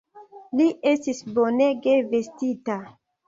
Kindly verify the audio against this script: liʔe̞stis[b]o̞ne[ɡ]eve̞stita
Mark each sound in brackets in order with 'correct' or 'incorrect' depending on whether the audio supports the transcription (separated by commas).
correct, correct